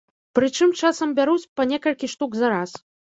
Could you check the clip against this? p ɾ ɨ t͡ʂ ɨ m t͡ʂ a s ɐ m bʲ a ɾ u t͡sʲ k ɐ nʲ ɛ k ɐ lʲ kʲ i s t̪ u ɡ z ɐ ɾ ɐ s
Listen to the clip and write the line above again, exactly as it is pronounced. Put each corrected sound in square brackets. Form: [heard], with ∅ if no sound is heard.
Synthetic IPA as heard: p ɾ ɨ t͡ʂ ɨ m t͡ʂ a s ɐ m bʲ a ɾ u t͡sʲ [p] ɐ nʲ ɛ k ɐ lʲ kʲ i [ʂ] t̪ u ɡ z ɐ ɾ [a] s

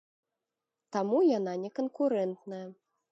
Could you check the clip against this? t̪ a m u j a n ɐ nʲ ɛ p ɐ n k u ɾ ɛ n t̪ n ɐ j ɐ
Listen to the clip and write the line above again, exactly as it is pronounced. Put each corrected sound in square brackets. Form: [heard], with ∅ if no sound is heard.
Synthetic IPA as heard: t̪ a m u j a n [a] nʲ ɛ [k] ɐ n k u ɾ ɛ n t̪ n ɐ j ɐ

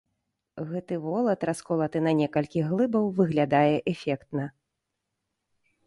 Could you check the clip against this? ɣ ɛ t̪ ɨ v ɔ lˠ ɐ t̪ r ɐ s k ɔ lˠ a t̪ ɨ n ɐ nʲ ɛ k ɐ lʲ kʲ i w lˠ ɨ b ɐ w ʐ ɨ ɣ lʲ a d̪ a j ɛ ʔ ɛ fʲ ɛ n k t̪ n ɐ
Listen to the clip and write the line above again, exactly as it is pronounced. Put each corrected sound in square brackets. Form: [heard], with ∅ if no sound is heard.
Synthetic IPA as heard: ɣ ɛ t̪ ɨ v ɔ lˠ ɐ t̪ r [a] s k ɔ lˠ [ɐ] t̪ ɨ n ɐ nʲ ɛ k ɐ lʲ kʲ i [ɣ] lˠ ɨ b ɐ w [v] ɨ ɣ lʲ a d̪ a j ɛ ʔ ɛ fʲ ɛ [∅] k t̪ n ɐ

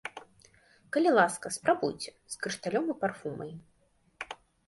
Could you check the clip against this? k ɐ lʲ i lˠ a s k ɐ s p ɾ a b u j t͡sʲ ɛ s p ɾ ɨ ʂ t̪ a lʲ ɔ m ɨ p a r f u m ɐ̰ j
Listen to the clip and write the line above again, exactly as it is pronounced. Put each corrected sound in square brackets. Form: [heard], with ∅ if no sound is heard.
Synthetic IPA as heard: k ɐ lʲ i lˠ a s k ɐ s p ɾ a b u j t͡sʲ ɛ s [k] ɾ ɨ ʂ t̪ a lʲ ɔ m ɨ p a r f u m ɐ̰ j

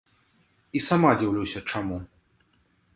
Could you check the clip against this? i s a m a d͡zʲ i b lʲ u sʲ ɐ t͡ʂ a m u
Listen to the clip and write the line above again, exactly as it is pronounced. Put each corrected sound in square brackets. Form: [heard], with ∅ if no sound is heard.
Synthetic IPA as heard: i s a m a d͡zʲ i [w] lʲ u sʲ ɐ t͡ʂ a m u

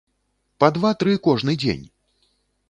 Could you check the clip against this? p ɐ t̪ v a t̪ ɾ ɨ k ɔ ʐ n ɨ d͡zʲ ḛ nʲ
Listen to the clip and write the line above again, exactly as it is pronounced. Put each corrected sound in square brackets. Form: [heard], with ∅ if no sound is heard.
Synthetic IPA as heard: p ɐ [d̪] v a t̪ ɾ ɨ k ɔ ʐ n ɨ d͡zʲ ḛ nʲ

